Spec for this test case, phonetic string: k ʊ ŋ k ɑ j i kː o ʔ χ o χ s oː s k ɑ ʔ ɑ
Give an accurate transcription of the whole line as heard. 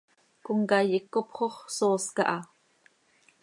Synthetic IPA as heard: k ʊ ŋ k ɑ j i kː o p χ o χ s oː s k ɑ ʔ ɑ